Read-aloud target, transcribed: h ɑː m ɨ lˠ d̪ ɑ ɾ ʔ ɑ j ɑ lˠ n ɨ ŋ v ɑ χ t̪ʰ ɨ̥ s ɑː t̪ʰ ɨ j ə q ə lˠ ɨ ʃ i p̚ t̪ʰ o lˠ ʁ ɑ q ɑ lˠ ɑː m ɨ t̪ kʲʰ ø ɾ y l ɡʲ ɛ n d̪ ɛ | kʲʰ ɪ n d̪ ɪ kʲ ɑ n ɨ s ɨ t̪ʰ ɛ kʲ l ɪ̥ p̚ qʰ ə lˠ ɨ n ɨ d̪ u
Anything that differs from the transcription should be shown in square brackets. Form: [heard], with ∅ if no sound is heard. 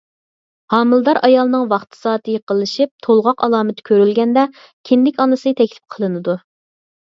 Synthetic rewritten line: h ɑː m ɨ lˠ d̪ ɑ ɾ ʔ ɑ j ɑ lˠ n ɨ ŋ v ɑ χ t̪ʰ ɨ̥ s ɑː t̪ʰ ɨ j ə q ə lˠ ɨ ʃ i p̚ t̪ʰ o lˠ ʁ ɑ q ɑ lˠ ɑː m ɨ t̪ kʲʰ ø ɾ y l ɡʲ ɛ n d̪ ɛ | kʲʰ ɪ n d̪ ɪ kʲ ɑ n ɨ s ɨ t̪ʰ ɛ kʲ l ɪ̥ p̚ qʰ ə lˠ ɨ n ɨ d̪ u